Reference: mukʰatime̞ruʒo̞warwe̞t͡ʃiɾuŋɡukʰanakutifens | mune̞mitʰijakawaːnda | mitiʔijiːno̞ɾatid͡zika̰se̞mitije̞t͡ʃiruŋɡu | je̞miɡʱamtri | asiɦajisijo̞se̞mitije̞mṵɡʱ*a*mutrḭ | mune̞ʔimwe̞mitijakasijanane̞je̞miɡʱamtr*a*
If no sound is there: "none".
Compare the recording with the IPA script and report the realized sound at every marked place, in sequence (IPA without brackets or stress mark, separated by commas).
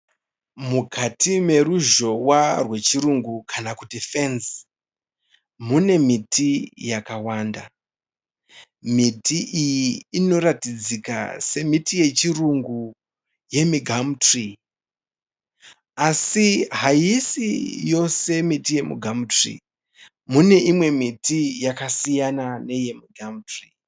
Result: a, i